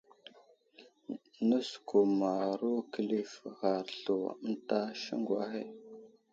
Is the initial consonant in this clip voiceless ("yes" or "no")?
no